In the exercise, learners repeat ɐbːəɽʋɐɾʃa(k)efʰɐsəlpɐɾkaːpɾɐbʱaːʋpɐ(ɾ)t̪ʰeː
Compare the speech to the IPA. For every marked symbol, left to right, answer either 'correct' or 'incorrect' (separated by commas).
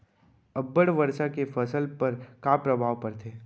correct, correct